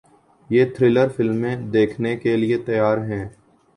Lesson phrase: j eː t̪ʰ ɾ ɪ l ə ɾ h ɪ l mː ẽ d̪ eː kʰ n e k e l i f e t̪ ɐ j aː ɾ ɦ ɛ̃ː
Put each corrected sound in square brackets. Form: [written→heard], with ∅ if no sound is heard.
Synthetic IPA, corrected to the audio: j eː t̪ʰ ɾ ɪ l ə ɾ [h→f] ɪ l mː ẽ d̪ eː kʰ n e k e l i [f→∅] e t̪ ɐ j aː ɾ ɦ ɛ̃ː

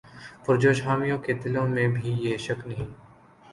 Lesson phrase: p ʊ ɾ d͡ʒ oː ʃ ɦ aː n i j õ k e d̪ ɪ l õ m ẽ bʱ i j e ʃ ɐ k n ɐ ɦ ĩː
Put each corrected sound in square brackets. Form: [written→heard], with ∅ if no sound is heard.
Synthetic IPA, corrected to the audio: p ʊ ɾ d͡ʒ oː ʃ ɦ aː [n→m] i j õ k e d̪ ɪ l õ m ẽ bʱ i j e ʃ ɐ k n ɐ ɦ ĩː

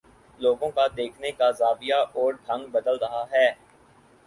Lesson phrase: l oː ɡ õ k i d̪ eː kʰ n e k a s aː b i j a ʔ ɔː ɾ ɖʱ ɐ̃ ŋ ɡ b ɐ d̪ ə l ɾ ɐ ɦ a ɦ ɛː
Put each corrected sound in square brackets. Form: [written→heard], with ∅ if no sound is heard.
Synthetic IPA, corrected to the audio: l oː ɡ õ k [i→a] d̪ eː kʰ n e k a [s→z] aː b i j a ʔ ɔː ɾ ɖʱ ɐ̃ ŋ ɡ b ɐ d̪ ə l ɾ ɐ ɦ a ɦ ɛː

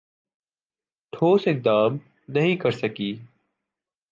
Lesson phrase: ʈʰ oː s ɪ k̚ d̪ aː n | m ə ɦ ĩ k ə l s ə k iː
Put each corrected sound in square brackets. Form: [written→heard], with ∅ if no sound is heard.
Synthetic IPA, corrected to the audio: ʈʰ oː s ɪ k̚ d̪ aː [n→m] | [m→n] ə ɦ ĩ k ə [l→ɾ] s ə k iː

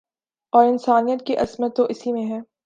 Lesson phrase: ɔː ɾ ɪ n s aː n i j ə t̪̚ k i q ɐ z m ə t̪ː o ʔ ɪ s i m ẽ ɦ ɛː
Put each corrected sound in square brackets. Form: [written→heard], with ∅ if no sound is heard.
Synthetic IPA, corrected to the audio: ɔː ɾ ɪ n s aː n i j ə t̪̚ k i [q→ʔ] ɐ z m ə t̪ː o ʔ ɪ s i m ẽ ɦ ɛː

